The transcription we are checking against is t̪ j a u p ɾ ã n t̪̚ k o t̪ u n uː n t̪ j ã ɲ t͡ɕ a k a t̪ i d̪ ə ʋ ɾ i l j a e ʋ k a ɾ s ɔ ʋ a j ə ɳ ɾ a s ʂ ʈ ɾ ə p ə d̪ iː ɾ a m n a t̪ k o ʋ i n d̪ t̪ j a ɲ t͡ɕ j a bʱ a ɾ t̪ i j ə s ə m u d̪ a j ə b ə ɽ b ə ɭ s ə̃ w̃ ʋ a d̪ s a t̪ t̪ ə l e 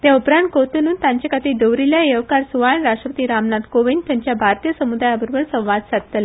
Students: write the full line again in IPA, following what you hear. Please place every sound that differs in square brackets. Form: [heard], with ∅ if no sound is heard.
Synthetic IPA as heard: t̪ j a u p ɾ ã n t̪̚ k o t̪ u n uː n t̪ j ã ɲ t͡ɕ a k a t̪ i d̪ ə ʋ ɾ i l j a e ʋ k a ɾ s [u] ʋ a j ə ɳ ɾ a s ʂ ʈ ɾ ə p ə [t̪] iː ɾ a m n a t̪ k o ʋ i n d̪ t̪ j a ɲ t͡ɕ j a bʱ a ɾ t̪ i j ə s ə m u d̪ a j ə b ə [ɾ] b ə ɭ s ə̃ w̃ ʋ a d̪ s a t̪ t̪ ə l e